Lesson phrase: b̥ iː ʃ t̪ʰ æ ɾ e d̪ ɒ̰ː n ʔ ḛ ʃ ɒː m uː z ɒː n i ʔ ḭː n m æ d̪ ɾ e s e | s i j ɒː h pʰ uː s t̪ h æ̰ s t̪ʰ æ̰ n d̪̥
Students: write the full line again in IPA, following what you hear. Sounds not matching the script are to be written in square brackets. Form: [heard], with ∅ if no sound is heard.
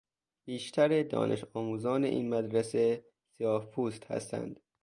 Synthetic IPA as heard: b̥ iː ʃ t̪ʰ æ ɾ e d̪ ɒ̰ː n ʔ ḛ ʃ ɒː m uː z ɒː n [e] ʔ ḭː n m æ d̪ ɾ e s e | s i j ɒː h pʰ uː s t̪ h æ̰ s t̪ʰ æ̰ n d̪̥